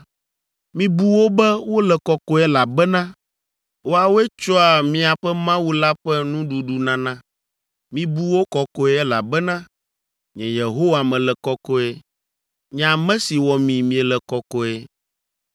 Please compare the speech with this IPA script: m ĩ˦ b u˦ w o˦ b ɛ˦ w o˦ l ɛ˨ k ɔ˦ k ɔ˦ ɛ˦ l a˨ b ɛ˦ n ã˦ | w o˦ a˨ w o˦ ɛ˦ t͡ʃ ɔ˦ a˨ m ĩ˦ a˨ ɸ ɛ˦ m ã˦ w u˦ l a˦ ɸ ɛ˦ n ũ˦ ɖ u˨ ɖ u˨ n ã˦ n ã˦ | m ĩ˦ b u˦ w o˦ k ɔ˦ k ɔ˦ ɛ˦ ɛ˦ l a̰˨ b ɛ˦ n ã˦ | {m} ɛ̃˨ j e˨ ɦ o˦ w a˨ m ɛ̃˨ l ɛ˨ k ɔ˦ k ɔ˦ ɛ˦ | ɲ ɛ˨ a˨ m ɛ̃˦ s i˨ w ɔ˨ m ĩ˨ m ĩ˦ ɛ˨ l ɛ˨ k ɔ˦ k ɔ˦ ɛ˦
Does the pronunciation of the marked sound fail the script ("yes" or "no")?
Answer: yes